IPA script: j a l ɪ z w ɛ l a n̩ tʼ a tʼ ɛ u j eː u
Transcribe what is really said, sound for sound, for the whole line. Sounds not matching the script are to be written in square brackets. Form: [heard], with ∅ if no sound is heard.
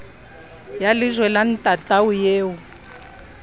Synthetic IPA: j a l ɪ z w ɛ l a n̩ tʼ a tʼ [a] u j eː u